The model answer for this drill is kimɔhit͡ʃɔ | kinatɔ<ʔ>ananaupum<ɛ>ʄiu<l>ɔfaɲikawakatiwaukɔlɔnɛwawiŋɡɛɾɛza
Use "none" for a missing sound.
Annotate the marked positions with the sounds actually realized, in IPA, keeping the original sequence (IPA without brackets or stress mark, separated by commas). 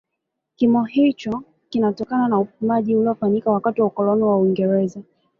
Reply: k, a, l